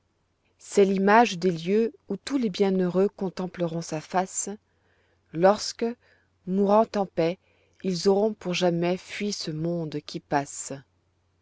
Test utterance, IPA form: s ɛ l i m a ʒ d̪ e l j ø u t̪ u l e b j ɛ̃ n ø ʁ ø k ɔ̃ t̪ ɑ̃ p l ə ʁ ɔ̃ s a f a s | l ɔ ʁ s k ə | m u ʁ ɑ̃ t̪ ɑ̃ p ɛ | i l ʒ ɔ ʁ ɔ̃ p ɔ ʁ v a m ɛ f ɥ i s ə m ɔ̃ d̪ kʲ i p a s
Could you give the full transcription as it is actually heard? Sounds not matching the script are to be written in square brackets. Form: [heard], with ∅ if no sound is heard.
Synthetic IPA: s ɛ l i m a ʒ d̪ e l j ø u t̪ u l e b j ɛ̃ n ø ʁ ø k ɔ̃ t̪ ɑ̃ p l ə ʁ ɔ̃ s a f a s | l ɔ ʁ s k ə | m u ʁ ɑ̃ t̪ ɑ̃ p ɛ | i l [z] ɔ ʁ ɔ̃ p [u] ʁ [ʒ] a m ɛ f ɥ i s ə m ɔ̃ d̪ kʲ i p a s